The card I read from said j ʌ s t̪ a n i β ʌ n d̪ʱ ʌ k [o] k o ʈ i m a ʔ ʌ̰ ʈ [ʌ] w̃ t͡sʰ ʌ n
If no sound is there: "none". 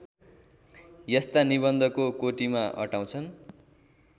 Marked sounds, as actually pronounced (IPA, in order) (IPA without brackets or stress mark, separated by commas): o, a